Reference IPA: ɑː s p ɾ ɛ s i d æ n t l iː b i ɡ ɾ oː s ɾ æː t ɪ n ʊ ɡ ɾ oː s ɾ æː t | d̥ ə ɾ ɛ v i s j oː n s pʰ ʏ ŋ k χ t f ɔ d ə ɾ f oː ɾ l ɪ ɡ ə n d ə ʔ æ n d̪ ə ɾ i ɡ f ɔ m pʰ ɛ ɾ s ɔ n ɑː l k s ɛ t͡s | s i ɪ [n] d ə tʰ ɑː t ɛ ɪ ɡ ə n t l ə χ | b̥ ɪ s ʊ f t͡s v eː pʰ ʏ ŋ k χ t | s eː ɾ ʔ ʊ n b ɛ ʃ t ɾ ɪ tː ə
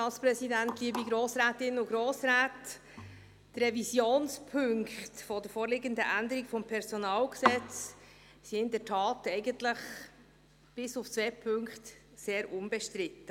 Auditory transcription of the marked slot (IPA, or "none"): n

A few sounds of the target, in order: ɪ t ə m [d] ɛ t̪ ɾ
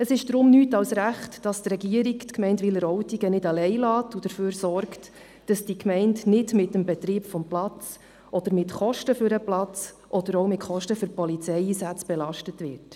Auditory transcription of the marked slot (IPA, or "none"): b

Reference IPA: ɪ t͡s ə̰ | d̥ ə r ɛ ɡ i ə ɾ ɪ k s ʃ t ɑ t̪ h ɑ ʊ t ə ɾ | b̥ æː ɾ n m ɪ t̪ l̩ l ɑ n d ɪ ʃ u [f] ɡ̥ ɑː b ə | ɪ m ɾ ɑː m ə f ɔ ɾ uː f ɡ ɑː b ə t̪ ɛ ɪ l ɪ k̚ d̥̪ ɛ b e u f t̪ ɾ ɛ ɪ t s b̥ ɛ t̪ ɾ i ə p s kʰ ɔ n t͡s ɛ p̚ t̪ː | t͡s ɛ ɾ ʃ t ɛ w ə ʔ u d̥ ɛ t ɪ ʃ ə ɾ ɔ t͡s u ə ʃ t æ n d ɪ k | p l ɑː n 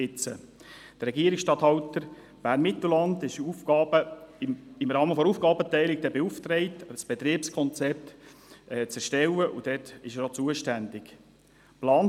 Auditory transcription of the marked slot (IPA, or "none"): f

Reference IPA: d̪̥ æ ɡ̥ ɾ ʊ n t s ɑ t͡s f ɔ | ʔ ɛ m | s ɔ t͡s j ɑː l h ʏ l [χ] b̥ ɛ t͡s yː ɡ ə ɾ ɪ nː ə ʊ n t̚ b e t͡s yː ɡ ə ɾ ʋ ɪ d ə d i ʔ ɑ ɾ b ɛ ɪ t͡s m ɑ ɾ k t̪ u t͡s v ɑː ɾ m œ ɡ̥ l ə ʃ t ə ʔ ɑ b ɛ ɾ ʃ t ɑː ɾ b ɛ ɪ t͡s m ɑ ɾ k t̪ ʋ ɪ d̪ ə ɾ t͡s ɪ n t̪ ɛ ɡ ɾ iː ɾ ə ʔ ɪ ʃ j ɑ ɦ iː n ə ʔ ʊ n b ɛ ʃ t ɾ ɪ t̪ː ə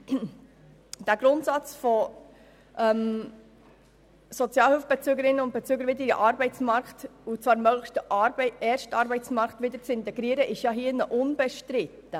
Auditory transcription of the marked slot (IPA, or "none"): f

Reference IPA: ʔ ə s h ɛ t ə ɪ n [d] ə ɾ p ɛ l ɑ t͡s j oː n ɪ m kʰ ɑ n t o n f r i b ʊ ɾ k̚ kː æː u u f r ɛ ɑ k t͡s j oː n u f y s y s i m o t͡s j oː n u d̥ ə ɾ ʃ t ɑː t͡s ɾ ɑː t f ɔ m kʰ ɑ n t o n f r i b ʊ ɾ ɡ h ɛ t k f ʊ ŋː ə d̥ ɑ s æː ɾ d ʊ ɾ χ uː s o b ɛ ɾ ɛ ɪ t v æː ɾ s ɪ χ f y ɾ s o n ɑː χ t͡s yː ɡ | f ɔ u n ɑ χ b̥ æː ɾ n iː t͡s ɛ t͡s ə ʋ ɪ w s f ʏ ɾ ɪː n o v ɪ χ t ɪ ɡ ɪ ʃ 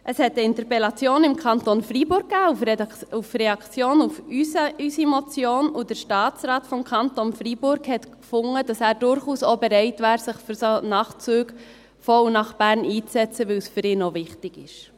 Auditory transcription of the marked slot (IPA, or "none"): t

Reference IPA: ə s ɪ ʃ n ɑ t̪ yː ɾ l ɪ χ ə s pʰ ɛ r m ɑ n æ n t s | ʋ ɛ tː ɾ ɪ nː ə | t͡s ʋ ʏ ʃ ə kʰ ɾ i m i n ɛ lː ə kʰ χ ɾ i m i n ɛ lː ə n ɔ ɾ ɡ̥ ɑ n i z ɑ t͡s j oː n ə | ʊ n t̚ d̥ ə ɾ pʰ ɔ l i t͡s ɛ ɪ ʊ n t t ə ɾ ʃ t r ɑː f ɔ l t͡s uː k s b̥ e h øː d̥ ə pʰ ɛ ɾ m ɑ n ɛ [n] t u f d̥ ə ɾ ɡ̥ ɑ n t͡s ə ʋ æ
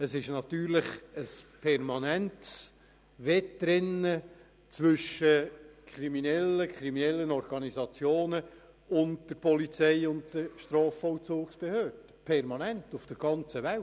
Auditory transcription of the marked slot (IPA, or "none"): n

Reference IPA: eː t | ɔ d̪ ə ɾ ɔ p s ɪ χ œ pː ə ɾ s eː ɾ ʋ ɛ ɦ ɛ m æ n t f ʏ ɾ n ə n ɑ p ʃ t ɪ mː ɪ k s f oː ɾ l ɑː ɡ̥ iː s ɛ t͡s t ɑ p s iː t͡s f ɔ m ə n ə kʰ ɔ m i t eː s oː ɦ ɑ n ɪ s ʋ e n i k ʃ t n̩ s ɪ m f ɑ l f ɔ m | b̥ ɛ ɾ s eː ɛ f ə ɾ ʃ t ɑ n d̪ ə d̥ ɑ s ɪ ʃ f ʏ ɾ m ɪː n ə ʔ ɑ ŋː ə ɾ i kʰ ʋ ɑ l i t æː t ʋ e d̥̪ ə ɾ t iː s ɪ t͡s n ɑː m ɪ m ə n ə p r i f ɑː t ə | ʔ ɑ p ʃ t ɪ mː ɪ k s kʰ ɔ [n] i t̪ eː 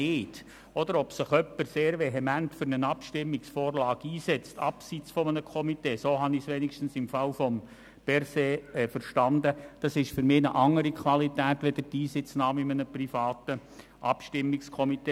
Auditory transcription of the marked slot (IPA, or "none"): m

